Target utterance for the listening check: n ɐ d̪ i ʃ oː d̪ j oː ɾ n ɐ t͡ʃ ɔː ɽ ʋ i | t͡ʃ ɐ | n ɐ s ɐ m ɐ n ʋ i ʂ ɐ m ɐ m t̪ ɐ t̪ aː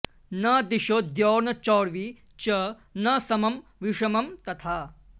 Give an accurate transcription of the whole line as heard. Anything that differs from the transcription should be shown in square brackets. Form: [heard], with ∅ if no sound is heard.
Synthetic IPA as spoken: n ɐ d̪ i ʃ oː d̪ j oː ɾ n ɐ t͡ʃ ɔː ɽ ʋ i | t͡ʃ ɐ | n ɐ s ɐ m ɐ [m] ʋ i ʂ ɐ m ɐ m t̪ ɐ [t̪ʰ] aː

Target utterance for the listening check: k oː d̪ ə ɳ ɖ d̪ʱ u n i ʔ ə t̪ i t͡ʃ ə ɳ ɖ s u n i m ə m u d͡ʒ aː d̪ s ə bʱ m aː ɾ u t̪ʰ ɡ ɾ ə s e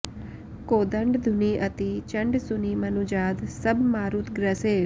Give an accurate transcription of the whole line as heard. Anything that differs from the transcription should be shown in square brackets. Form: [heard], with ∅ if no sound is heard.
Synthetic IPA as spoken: k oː d̪ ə ɳ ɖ d̪ʱ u n i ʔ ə t̪ i t͡ʃ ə ɳ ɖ s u n i m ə [n] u d͡ʒ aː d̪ s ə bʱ m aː ɾ u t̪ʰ ɡ ɾ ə s e

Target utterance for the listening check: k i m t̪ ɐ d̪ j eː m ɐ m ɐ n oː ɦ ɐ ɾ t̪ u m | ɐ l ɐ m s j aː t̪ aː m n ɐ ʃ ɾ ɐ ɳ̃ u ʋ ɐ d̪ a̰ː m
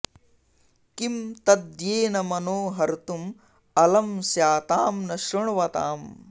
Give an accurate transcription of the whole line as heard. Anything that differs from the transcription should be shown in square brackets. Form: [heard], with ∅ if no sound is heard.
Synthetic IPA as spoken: k i m t̪ ɐ d̪ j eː [n] ɐ m ɐ n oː ɦ ɐ ɾ t̪ u m | ɐ l ɐ m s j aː t̪ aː m n ɐ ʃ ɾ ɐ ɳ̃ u ʋ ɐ [t̪] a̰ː m

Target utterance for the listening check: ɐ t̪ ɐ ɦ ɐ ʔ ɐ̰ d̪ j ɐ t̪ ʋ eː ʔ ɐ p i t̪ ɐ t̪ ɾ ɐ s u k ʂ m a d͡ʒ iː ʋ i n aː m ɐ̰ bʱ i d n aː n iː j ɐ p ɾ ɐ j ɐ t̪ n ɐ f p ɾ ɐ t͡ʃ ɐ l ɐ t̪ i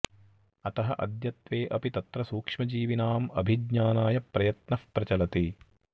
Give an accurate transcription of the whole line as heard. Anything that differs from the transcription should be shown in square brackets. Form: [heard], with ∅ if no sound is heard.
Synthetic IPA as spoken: ɐ t̪ ɐ ɦ ɐ ʔ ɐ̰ d̪ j ɐ t̪ ʋ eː ʔ ɐ p i t̪ ɐ t̪ ɾ ɐ s [uː] k ʂ m [ɐ] d͡ʒ iː ʋ i n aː m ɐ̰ bʱ i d [ɲ] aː n [aː] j ɐ p ɾ ɐ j ɐ t̪ n ɐ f p ɾ ɐ t͡ʃ ɐ l ɐ t̪ i

